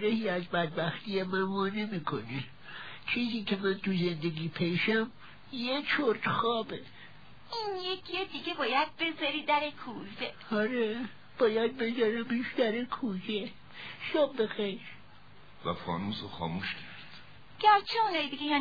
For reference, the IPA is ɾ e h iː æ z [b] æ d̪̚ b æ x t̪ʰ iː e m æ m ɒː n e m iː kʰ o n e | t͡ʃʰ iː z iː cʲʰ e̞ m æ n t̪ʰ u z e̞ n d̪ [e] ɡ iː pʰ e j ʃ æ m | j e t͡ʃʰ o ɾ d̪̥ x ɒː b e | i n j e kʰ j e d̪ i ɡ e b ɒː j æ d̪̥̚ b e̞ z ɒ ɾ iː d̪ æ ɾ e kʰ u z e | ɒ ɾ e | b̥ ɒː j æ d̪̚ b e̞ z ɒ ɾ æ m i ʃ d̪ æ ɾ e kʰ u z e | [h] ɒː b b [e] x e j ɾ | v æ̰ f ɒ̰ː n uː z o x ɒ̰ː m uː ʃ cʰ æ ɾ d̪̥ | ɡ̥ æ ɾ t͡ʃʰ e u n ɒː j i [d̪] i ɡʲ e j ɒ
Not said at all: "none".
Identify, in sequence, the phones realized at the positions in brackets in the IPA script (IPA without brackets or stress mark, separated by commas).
b, e, ʃ, e, d̪